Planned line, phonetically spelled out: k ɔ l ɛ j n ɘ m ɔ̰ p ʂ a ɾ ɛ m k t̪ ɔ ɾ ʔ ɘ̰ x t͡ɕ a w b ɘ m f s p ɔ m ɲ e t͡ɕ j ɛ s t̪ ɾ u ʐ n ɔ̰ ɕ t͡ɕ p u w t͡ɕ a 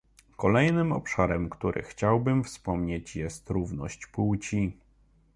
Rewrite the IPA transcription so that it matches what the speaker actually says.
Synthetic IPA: k ɔ l ɛ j n ɘ m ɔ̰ p ʂ a ɾ ɛ m k t̪ u ɾ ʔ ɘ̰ x t͡ɕ a w b ɘ m f s p ɔ m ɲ e t͡ɕ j ɛ s t̪ ɾ u v n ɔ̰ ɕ t͡ɕ p u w t͡ɕ i

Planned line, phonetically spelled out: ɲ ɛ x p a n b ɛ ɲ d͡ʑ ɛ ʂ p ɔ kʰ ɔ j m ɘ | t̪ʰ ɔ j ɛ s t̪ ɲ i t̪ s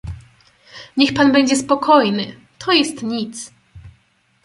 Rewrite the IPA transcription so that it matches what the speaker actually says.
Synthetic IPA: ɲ ɛ x p a n b ɛ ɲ d͡ʑ ɛ s p ɔ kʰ ɔ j n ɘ | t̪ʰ ɔ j ɛ s t̪ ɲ i t̪ s

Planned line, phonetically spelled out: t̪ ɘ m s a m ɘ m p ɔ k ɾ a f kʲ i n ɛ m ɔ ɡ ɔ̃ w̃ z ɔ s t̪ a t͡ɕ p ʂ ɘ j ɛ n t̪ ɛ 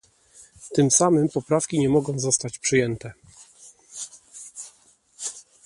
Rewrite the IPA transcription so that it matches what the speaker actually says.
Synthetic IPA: t̪ ɘ m s a m ɘ m p ɔ p ɾ a f kʲ i ɲ ɛ m ɔ ɡ ɔ̃ w̃ z ɔ s t̪ a t͡ɕ p ʂ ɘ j ɛ n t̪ ɛ

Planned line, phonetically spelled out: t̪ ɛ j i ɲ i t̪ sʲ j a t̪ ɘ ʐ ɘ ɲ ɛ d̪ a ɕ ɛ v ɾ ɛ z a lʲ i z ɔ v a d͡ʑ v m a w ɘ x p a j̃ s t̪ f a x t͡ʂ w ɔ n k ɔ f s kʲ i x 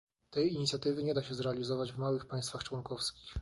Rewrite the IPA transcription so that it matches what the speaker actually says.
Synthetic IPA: t̪ ɛ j i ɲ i t̪ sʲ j a t̪ ɘ v ɘ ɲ ɛ d̪ a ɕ ɛ z ɾ ɛ a lʲ i z ɔ v a d͡ʑ v m a w ɘ x p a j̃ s t̪ f a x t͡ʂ w ɔ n k ɔ f s kʲ i x

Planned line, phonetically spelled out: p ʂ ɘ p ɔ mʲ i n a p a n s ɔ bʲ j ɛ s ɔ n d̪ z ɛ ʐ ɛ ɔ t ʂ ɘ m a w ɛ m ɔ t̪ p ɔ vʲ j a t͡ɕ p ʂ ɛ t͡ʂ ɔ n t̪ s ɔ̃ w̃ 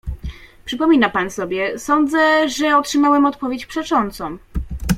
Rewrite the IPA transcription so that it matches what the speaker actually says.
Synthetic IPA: p ʂ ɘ p ɔ mʲ i n a p a n s ɔ bʲ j ɛ s ɔ n d̪ z ɛ ʐ ɛ ɔ t ʂ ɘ m a w ɛ m ɔ t̪ p ɔ vʲ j e t͡ɕ p ʂ ɛ t͡ʂ ɔ n t̪ s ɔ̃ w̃

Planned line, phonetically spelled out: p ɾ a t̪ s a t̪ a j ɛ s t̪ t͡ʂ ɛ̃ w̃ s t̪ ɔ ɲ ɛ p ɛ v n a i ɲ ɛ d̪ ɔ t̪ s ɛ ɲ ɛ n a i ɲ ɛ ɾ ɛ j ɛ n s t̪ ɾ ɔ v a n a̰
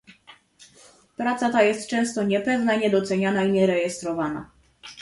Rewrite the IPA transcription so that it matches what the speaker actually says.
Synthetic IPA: p ɾ a t̪ s a t̪ a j ɛ s t̪ t͡ʂ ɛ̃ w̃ s t̪ ɔ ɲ ɛ p ɛ v n a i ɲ ɛ d̪ ɔ t̪ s ɛ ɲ a n a i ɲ ɛ ɾ ɛ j ɛ s t̪ ɾ ɔ v a n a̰

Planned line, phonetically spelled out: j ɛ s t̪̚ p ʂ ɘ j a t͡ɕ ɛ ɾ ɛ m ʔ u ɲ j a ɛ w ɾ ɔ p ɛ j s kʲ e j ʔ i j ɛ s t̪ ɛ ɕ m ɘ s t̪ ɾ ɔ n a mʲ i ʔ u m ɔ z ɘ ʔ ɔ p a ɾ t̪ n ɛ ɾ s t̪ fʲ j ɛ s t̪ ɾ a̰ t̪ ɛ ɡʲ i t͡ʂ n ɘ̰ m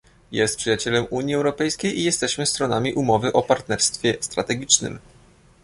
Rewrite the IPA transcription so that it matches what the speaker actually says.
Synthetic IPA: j ɛ s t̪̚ p ʂ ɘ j a t͡ɕ ɛ l ɛ m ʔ u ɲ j i ɛ w ɾ ɔ p ɛ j s kʲ e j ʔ i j ɛ s t̪ ɛ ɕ m ɘ s t̪ ɾ ɔ n a mʲ i ʔ u m ɔ v ɘ ʔ ɔ p a ɾ t̪ n ɛ ɾ s t̪ fʲ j ɛ s t̪ ɾ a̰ t̪ ɛ ɡʲ i t͡ʂ n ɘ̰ m

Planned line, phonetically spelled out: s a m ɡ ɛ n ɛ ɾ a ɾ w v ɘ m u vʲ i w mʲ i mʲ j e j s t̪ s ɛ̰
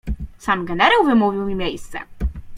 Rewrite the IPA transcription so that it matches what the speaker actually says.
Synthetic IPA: s a m ɡ ɛ n ɛ ɾ a w v ɘ m u vʲ i w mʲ i mʲ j e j s t̪ s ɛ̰

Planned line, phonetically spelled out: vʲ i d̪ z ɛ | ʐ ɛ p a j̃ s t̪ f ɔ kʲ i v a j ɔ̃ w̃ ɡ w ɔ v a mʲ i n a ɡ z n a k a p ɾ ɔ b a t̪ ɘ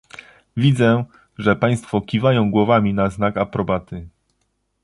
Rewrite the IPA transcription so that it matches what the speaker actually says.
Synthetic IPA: vʲ i d̪ z ɛ | ʐ ɛ p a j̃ s t̪ f ɔ kʲ i v a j ɔ̃ w̃ ɡ w ɔ v a mʲ i n a z n a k a p ɾ ɔ b a t̪ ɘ

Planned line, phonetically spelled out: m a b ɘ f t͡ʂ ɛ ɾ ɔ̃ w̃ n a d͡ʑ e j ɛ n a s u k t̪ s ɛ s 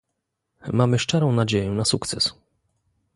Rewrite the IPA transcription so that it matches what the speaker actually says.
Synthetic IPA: m a m ɘ ʂ t͡ʂ ɛ ɾ ɔ̃ w̃ n a d͡ʑ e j ɛ n a s u k t̪ s ɛ s

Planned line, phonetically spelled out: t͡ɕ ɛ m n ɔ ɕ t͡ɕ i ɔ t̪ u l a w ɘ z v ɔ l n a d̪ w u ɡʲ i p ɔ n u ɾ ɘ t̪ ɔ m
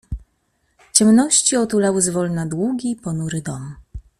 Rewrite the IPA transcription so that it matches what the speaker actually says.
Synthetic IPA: t͡ɕ ɛ m n ɔ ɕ t͡ɕ i ɔ t̪ u l a w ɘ z v ɔ l n a d̪ w u ɡʲ i p ɔ n u ɾ ɘ d̪ ɔ m

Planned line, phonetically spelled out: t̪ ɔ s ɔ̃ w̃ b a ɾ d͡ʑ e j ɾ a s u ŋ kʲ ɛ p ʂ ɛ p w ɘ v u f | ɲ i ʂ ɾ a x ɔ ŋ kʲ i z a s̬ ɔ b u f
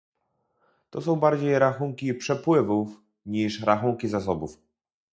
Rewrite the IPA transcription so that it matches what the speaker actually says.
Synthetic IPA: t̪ ɔ s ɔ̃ w̃ b a ɾ d͡ʑ e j ɾ a x u ŋ kʲ i p ʂ ɛ p w ɘ v u f | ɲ i ʂ ɾ a x u ŋ kʲ i z a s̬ ɔ b u f

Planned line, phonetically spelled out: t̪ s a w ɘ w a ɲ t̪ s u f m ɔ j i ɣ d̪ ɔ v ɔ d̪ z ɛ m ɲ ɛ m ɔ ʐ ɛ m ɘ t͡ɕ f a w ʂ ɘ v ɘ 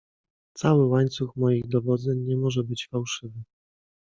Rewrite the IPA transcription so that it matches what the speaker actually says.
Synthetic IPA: t̪ s a w ɘ w a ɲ t̪ s u x m ɔ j i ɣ d̪ ɔ v ɔ d̪ z ɛ ɲ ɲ ɛ m ɔ ʐ ɛ b ɘ t͡ɕ f a w ʂ ɘ v ɘ

